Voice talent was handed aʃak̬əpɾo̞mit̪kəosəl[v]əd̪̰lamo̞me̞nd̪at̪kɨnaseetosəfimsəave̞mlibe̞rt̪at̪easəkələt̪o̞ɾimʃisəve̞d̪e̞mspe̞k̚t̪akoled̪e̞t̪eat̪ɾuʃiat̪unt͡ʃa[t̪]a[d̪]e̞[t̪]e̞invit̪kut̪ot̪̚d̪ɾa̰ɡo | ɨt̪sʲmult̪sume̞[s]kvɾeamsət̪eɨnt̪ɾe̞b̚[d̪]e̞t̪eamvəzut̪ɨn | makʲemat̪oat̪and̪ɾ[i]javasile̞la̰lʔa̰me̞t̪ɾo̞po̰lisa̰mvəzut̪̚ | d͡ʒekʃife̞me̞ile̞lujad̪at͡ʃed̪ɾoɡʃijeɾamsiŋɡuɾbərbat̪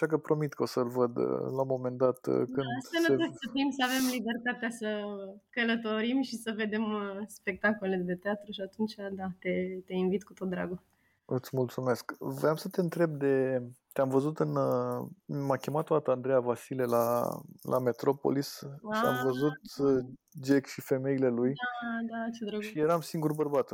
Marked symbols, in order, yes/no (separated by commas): yes, no, no, yes, yes, yes, no